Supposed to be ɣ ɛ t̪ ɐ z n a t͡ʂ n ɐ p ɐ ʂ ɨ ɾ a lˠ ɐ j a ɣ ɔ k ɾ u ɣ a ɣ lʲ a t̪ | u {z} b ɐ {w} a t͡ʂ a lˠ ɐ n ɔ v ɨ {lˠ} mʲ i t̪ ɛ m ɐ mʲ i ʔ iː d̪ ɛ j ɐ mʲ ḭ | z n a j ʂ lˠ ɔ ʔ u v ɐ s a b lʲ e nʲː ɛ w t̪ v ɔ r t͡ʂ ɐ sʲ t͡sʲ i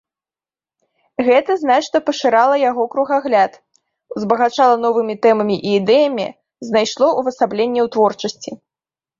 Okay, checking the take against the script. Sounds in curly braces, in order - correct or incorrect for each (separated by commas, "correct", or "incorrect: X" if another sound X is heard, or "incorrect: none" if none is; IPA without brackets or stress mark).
correct, incorrect: ɣ, incorrect: none